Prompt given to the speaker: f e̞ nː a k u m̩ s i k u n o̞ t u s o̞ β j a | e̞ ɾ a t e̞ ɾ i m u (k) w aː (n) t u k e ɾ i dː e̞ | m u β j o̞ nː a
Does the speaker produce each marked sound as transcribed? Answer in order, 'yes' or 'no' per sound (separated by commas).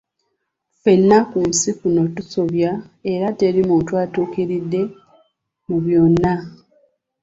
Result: no, no